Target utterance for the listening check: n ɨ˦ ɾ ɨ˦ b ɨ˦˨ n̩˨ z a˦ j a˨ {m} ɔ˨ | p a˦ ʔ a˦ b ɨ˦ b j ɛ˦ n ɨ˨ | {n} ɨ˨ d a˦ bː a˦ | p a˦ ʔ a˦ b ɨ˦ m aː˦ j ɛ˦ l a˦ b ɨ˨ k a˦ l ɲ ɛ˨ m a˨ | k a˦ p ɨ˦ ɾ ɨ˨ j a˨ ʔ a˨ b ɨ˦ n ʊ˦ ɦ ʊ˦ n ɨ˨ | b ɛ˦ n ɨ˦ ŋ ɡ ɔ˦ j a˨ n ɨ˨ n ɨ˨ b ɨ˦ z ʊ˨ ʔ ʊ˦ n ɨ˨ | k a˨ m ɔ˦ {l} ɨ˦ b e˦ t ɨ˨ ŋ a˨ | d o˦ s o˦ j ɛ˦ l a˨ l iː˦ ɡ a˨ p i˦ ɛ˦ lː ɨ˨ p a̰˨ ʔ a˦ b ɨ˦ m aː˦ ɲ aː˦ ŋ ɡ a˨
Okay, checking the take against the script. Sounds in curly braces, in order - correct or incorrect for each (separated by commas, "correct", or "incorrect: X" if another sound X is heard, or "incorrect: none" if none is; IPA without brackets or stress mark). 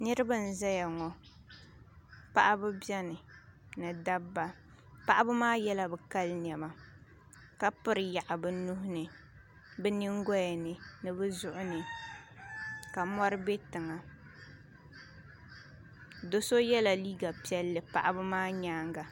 incorrect: ŋ, correct, incorrect: ɾ